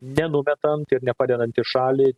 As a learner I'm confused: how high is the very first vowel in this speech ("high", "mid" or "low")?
mid